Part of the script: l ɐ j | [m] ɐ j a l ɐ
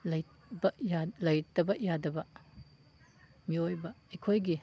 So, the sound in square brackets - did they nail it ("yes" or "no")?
no